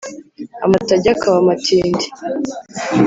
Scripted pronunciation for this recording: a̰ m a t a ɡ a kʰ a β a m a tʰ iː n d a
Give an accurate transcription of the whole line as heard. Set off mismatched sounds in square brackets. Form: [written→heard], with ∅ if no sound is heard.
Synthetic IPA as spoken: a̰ m a t a [ɡ→ɟ] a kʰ a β a m a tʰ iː n d [a→i]